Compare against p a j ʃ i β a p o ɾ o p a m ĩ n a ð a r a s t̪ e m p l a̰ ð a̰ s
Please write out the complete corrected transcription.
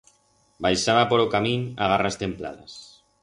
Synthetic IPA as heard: b a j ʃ a β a p o ɾ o k a m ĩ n a ɣ a r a s t̪ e m p l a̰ ð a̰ s